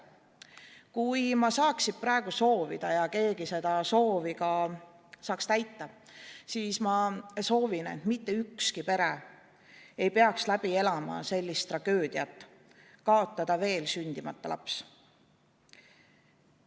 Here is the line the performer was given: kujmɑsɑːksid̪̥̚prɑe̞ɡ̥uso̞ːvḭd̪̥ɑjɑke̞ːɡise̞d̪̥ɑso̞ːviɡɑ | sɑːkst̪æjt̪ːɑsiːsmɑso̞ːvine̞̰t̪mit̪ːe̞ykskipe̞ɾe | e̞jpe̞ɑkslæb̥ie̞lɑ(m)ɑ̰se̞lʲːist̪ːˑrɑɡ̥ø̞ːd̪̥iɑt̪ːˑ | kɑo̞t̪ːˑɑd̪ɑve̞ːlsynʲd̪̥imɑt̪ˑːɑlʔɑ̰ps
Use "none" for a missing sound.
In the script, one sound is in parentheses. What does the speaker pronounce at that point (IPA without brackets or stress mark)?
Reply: m